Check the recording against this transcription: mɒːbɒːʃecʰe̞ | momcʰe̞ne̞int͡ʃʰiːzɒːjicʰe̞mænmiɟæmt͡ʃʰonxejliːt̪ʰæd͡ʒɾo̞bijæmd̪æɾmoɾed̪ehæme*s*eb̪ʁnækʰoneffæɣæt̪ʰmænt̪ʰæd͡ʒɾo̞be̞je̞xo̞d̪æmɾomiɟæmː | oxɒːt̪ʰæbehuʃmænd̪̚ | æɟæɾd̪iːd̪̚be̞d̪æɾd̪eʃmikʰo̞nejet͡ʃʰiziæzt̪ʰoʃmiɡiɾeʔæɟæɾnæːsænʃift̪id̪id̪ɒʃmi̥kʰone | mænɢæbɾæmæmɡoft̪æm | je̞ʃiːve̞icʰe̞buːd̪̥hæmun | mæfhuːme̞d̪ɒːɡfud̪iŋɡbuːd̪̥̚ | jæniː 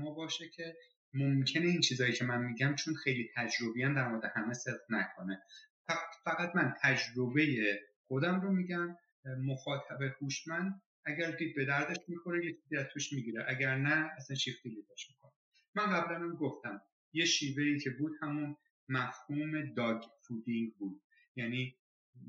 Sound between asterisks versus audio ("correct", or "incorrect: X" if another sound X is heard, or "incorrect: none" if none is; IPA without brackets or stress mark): correct